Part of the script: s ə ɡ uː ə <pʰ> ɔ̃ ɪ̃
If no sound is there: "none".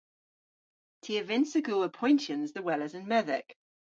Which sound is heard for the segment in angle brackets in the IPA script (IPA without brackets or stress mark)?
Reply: pʰ